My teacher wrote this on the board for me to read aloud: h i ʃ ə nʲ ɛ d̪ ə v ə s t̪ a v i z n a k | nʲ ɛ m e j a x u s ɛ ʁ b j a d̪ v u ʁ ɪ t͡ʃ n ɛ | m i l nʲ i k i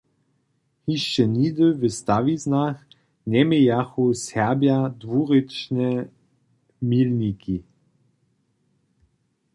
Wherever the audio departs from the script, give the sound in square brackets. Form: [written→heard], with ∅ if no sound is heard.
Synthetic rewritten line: h i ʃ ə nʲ [ɛ→i] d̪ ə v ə s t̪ a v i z n a [k→x] | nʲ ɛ m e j a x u s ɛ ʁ b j a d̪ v u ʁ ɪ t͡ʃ n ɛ | m i l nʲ i k i

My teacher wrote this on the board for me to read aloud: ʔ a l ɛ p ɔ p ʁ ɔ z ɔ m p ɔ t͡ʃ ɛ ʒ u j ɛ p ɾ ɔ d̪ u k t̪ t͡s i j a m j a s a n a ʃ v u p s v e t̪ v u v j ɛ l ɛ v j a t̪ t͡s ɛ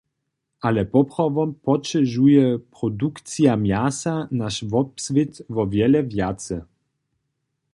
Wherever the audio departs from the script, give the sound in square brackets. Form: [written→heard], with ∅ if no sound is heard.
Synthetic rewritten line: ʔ a l ɛ p ɔ p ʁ ɔ [z→v] ɔ m p ɔ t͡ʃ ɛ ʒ u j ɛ p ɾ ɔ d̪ u k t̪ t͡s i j a m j a s a n a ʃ v [u→ɔ] p s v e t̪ v [u→ɔ] v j ɛ l ɛ v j a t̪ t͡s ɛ

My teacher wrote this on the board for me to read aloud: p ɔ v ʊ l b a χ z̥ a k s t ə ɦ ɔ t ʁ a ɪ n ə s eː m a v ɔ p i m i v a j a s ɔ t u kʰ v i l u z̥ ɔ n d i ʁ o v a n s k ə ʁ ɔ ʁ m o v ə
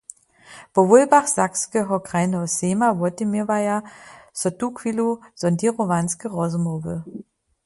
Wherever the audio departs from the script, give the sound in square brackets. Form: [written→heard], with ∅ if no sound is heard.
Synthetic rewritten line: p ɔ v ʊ l b a χ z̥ a k s [t→k] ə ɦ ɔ [t→k] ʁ a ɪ n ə s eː m a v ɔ [p→t] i m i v a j a s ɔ t u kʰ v i l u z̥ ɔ n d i ʁ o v a n s k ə ʁ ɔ [ʁ→z] m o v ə

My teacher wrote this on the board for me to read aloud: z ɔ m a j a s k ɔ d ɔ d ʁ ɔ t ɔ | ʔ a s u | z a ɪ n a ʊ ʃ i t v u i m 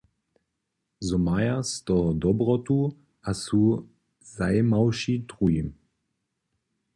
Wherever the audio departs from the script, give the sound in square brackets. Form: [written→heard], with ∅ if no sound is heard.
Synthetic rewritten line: z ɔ m a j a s [k→t] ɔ d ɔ [d→b] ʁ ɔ t [ɔ→u] | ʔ a s u | z a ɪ [n→m] a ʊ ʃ i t [v→ʁ] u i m

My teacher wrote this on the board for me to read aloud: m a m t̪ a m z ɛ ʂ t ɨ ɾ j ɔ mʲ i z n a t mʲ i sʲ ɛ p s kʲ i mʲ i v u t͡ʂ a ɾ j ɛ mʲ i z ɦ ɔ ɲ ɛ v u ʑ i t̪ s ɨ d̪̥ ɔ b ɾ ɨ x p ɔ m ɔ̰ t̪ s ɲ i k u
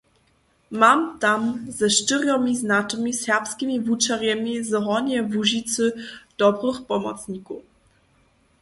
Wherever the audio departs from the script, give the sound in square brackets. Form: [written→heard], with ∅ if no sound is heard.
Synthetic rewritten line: m a m t̪ a m z ɛ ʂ t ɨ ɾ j ɔ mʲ i z n a t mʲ i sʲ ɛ p s kʲ i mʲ i v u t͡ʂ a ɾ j ɛ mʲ i z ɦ ɔ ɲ ɛ v u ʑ i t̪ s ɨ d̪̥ ɔ b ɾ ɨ x p ɔ m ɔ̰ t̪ s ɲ i k u

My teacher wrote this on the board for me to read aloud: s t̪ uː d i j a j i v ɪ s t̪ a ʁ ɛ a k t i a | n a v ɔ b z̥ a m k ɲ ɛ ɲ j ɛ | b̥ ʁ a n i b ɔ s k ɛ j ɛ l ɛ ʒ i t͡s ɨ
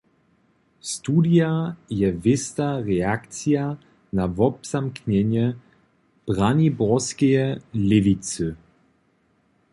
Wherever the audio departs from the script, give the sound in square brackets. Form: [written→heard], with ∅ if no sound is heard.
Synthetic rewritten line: s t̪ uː d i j a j [i→ɛ] v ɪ s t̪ a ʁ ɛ a k [t→t͡s] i a | n a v ɔ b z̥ a m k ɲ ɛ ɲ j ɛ | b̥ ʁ a n i b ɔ s k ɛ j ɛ l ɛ [ʒ→v] i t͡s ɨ

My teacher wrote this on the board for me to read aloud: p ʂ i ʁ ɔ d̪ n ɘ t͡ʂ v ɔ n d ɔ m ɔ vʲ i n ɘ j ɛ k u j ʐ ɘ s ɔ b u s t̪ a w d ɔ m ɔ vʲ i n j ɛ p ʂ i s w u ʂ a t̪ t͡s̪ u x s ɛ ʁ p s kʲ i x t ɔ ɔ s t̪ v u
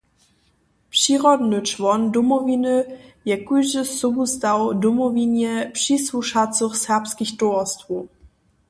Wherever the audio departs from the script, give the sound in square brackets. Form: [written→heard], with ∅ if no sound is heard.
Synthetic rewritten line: p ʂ i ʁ ɔ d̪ n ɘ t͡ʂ v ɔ n d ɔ m ɔ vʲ i n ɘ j ɛ k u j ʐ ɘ s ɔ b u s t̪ a w d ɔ m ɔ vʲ i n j ɛ p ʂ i s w u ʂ a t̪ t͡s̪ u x s ɛ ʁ p s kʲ i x t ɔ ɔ s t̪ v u

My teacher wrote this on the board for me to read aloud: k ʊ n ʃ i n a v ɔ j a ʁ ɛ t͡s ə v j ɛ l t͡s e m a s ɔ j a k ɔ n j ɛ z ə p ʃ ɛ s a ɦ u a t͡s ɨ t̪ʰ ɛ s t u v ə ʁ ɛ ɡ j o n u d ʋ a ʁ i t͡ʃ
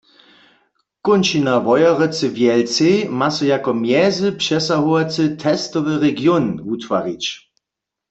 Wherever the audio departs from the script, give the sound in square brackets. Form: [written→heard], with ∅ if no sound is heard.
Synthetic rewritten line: k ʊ n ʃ i n a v ɔ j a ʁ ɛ t͡s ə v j ɛ l t͡s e m a s ɔ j a k ɔ [n→m] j ɛ z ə p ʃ ɛ s a ɦ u a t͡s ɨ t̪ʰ ɛ s t [u→ɔ] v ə ʁ ɛ ɡ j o n u [d→t] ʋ a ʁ i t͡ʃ

